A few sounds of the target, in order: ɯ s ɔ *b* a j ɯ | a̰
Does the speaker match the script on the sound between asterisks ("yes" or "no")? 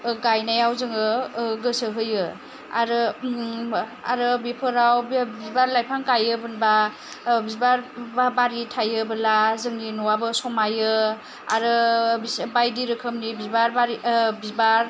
no